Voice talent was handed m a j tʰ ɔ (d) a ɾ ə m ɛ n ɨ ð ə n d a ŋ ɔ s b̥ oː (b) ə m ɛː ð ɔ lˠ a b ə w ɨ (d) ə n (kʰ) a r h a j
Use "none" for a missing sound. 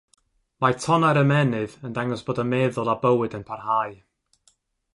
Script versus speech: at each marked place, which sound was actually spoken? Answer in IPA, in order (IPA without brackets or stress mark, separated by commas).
n, d, d, pʰ